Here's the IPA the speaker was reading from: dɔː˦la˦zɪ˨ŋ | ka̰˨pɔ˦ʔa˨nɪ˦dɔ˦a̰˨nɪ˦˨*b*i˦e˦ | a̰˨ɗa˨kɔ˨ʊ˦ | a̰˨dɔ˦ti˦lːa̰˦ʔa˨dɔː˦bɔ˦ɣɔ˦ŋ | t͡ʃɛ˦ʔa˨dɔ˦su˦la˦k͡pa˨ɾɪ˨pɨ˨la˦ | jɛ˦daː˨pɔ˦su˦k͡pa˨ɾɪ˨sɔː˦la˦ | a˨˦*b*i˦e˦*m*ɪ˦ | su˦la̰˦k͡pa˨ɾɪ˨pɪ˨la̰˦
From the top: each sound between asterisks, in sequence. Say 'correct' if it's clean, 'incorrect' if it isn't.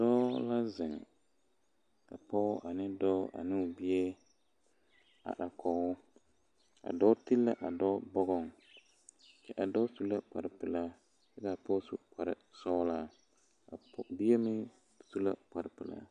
correct, correct, correct

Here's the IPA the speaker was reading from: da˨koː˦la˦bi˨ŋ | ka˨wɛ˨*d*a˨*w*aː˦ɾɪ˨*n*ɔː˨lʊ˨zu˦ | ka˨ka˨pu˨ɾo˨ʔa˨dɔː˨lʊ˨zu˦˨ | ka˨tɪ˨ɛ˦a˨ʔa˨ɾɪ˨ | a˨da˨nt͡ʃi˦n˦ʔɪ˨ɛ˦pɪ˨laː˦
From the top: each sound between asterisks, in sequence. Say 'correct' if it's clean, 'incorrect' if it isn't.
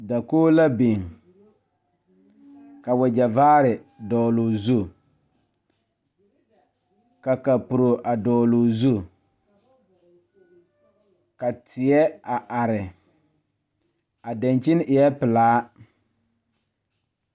incorrect: d͡ʒ, incorrect: v, incorrect: d

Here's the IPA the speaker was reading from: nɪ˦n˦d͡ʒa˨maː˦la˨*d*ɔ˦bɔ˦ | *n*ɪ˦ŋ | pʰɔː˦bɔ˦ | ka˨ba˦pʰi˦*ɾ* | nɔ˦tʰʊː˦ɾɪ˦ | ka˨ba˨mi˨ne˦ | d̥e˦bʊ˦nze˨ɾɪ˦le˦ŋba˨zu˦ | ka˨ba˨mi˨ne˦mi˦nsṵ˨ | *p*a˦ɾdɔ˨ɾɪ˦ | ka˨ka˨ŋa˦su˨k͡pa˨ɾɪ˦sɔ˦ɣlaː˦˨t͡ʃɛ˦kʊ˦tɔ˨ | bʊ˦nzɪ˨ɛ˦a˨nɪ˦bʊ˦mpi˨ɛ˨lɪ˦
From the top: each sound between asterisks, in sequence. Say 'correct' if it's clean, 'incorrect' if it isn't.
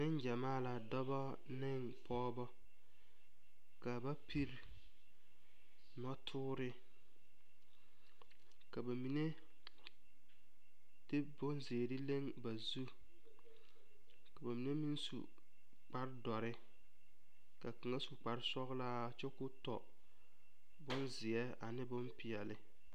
correct, correct, correct, incorrect: k͡p

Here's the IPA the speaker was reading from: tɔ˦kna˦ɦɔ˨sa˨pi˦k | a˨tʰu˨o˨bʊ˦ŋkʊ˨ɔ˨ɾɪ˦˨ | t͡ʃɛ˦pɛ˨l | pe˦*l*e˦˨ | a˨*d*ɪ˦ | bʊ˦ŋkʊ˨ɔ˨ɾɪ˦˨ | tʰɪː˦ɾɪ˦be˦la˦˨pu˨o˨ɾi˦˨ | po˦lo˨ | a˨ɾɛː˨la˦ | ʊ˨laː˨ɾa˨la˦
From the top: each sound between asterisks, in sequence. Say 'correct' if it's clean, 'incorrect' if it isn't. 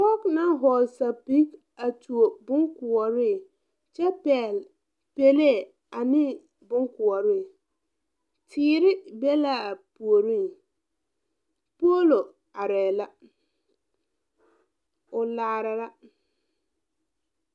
correct, incorrect: n

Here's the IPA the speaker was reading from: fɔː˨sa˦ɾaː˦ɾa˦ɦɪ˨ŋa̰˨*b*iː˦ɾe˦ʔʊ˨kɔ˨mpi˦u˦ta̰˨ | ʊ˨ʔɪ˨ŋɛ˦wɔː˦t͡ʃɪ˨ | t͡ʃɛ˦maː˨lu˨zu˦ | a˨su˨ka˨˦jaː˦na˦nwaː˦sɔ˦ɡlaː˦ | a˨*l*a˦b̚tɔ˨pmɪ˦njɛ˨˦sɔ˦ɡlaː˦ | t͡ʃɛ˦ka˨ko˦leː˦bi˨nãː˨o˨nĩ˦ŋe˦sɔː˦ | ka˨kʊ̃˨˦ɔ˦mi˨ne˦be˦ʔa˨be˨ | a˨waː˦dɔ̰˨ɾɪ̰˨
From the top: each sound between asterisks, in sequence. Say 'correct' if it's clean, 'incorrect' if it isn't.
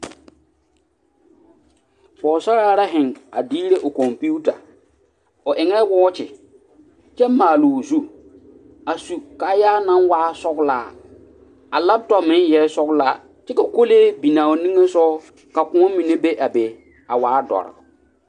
incorrect: d, correct

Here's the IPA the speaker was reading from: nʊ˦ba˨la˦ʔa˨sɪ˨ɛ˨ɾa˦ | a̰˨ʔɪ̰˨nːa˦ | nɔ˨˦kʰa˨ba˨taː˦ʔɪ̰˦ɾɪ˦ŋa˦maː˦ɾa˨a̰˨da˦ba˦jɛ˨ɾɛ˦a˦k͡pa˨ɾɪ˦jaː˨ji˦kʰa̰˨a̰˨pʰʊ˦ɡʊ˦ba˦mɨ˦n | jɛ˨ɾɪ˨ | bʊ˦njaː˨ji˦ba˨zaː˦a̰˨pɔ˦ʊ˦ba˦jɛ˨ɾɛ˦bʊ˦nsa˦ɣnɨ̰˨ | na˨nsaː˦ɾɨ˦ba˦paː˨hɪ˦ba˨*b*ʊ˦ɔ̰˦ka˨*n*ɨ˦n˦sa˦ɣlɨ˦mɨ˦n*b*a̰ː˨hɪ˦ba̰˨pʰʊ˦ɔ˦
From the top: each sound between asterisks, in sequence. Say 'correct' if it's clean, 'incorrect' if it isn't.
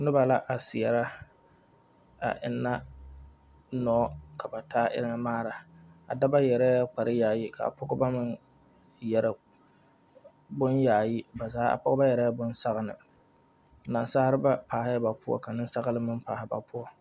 incorrect: p, correct, incorrect: p

